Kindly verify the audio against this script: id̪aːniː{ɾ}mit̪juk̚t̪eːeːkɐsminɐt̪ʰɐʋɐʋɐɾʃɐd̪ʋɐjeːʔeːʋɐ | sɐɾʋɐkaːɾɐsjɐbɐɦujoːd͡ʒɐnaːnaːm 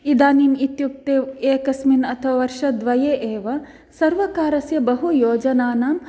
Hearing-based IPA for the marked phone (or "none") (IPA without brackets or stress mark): none